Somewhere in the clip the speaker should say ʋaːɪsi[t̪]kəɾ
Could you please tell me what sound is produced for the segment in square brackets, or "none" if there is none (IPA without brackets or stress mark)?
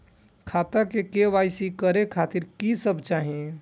none